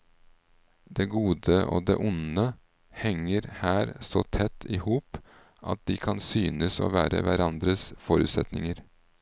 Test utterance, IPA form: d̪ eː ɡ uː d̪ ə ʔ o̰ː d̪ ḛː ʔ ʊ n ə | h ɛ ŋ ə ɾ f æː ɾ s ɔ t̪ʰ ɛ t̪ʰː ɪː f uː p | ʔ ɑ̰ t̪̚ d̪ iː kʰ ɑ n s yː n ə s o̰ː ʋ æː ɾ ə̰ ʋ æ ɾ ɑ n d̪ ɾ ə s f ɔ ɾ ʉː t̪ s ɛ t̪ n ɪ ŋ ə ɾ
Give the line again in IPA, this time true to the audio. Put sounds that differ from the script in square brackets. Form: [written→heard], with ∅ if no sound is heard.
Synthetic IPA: d̪ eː ɡ uː d̪ ə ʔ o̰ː d̪ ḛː ʔ ʊ n ə | h ɛ ŋ ə ɾ [f→h] æː ɾ s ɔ t̪ʰ ɛ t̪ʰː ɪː [f→h] uː p | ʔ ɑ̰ t̪̚ d̪ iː kʰ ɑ n s yː n ə s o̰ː ʋ æː ɾ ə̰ ʋ æ ɾ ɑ n d̪ ɾ ə s f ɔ ɾ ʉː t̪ s ɛ t̪ n ɪ ŋ ə ɾ